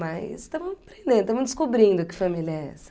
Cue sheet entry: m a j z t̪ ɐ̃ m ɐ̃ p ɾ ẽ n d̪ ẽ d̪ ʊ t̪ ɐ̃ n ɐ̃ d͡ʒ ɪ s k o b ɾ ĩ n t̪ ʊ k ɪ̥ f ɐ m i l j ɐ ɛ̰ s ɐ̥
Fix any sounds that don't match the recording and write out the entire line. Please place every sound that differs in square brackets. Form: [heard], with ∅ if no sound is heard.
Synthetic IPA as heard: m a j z t̪ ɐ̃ m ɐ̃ p ɾ ẽ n d̪ ẽ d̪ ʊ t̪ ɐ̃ [m] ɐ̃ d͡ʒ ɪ s k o b ɾ ĩ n [d̪] ʊ k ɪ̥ f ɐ m i l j ɐ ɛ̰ s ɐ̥